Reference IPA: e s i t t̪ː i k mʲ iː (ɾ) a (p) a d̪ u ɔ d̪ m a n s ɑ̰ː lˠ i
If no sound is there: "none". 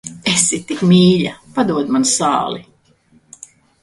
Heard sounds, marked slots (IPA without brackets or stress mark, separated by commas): ʎ, p